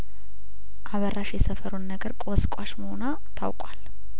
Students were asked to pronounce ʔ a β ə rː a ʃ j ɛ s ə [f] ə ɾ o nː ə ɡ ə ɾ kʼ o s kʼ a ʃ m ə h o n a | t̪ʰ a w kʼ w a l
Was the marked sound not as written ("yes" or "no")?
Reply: no